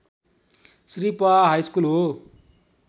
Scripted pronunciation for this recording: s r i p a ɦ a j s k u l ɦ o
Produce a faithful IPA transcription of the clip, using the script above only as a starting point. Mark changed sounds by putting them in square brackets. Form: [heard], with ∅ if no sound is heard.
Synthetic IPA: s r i p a ɦ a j s k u l ɦ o